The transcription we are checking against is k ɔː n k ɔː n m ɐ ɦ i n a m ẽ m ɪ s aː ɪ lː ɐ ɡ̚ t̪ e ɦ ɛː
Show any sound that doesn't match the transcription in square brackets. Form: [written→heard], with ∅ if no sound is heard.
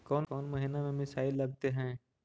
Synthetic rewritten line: k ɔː n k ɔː n m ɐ ɦ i n a m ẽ m ɪ s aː ɪ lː ɐ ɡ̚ t̪ e ɦ [ɛː→ɛ̃ː]